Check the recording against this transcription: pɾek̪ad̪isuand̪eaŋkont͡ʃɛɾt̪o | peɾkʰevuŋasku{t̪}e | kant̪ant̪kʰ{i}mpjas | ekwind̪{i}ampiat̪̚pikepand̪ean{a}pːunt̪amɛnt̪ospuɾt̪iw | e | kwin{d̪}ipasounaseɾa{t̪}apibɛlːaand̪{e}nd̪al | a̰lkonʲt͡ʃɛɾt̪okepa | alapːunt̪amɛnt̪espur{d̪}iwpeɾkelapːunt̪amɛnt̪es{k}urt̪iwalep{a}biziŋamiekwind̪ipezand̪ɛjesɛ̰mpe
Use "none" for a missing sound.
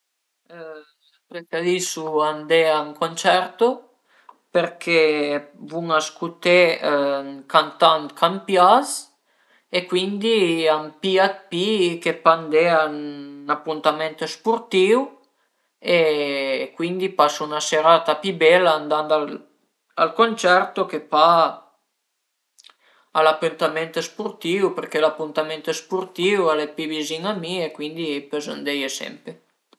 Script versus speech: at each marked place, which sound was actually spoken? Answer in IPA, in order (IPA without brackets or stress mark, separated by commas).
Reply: t̪, a, i, a, d̪, t̪, a, t̪, p, i